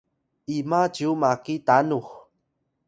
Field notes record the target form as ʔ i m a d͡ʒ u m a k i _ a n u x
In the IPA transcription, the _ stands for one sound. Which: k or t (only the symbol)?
t